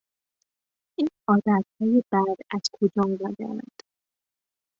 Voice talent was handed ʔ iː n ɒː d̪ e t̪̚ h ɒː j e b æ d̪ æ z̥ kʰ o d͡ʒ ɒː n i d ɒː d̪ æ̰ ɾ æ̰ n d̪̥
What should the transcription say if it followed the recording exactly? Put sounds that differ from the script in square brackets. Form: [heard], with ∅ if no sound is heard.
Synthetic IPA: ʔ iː n ɒː d̪ [æ] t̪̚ h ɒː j e b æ d̪ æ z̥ kʰ o d͡ʒ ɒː [m] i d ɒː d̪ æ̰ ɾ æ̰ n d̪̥